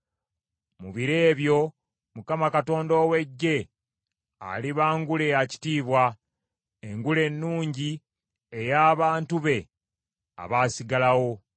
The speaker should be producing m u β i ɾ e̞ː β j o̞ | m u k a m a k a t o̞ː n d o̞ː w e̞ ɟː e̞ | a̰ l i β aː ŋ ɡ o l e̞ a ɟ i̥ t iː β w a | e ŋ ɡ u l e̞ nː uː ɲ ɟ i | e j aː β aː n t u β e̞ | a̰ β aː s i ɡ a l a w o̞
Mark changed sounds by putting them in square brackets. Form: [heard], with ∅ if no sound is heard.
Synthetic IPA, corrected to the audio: m u β i ɾ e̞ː β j o̞ | m u k a m a k a t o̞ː n d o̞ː w e̞ ɟː e̞ | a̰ l i β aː ŋ ɡ [u] l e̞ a [c] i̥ t iː β w a | e ŋ ɡ u l e̞ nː uː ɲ ɟ i | e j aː β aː n t u β e̞ | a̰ β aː s i ɡ a l a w o̞